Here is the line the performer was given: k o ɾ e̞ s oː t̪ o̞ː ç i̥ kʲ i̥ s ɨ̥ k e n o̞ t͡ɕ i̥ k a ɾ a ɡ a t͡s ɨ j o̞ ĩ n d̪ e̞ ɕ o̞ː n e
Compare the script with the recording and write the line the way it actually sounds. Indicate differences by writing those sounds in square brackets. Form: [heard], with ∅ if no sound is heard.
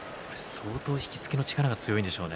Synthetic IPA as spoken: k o ɾ e̞ s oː t̪ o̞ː ç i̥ kʲ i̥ [t͡s] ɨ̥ k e n o̞ t͡ɕ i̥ k a ɾ a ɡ a t͡s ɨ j o̞ ĩ n d̪ e̞ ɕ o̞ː n e